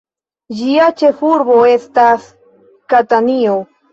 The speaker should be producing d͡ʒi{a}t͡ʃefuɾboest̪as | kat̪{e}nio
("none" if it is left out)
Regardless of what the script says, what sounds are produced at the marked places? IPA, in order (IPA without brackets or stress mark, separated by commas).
a, a